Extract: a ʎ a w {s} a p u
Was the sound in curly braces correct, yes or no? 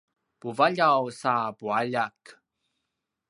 yes